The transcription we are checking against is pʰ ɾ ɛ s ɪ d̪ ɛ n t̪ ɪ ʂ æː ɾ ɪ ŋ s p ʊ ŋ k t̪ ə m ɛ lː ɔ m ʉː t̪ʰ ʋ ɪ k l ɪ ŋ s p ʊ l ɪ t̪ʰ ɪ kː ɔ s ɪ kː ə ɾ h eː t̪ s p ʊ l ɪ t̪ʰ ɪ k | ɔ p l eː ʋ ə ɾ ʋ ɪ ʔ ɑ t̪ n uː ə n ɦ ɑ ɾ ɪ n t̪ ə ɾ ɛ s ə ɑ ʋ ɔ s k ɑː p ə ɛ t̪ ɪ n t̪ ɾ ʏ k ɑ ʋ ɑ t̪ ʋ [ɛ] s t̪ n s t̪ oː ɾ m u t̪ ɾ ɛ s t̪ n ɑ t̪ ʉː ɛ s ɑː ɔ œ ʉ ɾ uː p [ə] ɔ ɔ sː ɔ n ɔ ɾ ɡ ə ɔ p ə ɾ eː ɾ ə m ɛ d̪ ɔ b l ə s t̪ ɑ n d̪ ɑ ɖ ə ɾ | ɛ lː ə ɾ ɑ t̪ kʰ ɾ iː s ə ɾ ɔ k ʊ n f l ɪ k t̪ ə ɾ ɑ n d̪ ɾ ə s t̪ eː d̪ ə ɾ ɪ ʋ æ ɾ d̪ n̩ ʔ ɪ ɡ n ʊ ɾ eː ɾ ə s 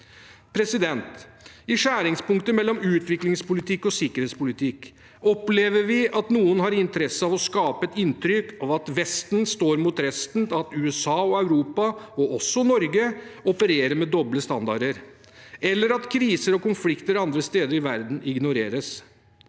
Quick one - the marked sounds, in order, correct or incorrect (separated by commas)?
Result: correct, incorrect